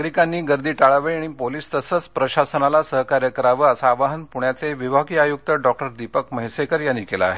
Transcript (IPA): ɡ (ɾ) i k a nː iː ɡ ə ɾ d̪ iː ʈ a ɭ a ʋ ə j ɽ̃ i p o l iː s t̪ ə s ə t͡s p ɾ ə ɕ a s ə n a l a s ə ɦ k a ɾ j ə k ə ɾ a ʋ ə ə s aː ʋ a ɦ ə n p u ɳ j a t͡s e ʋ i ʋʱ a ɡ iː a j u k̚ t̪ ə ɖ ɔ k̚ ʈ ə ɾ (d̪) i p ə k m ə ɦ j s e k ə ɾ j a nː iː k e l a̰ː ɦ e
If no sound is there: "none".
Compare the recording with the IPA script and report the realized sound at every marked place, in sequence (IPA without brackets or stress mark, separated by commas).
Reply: ɾ, d̪